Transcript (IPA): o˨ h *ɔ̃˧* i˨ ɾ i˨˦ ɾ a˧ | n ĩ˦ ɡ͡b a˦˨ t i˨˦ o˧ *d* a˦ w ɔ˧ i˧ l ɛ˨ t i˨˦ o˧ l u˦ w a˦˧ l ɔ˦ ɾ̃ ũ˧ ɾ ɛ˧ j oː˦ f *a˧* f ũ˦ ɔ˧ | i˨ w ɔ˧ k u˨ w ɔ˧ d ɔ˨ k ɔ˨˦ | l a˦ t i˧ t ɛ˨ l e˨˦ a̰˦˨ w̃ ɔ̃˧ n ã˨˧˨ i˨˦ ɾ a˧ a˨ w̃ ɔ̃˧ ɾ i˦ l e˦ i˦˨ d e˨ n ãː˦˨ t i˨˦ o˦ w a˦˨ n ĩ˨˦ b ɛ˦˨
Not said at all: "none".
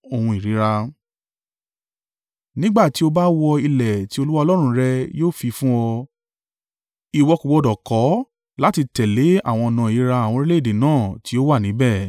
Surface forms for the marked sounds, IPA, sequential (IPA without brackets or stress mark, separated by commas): ũ˧, b, i˧